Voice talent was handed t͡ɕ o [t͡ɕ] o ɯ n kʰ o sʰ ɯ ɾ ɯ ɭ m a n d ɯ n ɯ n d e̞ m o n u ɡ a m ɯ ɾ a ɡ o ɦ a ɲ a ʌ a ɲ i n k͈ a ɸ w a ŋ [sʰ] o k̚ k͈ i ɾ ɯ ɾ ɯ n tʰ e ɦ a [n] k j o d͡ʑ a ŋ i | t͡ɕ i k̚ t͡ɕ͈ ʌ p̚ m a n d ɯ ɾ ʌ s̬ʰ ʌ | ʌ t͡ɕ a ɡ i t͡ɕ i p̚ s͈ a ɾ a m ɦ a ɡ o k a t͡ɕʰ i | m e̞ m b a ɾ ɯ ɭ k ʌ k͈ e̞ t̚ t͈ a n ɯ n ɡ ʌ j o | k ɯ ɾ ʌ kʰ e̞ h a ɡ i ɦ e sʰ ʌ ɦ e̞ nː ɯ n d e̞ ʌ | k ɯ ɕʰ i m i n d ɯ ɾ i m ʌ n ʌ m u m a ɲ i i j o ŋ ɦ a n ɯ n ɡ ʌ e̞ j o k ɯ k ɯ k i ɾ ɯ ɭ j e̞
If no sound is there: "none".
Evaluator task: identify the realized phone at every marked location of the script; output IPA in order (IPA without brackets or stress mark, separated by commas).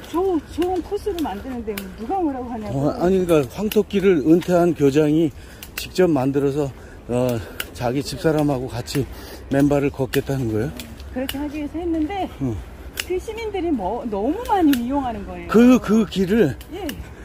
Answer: t͡ɕ, tʰ, n